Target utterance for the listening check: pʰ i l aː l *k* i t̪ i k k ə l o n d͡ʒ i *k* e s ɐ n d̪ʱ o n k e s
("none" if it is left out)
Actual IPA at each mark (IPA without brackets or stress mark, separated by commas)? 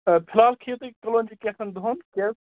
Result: kʰ, k